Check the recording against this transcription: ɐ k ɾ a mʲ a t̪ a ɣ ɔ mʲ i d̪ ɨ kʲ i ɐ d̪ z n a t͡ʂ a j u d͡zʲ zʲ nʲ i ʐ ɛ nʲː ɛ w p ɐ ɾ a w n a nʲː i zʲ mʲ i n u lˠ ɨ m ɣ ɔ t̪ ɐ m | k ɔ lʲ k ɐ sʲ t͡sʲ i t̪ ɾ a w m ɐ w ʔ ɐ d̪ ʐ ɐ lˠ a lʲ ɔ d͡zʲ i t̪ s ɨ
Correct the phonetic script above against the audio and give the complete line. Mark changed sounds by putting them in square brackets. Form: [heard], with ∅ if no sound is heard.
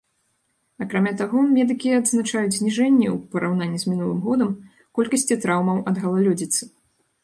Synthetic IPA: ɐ k ɾ a mʲ a t̪ a ɣ ɔ mʲ [ɛ] d̪ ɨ kʲ i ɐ d̪ z n a t͡ʂ a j u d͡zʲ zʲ nʲ i ʐ ɛ nʲː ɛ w p ɐ ɾ a w n a nʲː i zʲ mʲ i n u lˠ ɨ m ɣ ɔ [d̪] ɐ m | k ɔ lʲ k ɐ sʲ t͡sʲ i t̪ ɾ a w m ɐ w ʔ ɐ d̪ [ɣ] ɐ lˠ a lʲ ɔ d͡zʲ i t̪ s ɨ